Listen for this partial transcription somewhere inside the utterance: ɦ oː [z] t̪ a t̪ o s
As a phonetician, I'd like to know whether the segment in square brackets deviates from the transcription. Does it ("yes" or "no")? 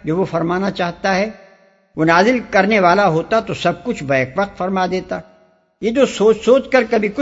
yes